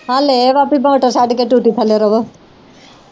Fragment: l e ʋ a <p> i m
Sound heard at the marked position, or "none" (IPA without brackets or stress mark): p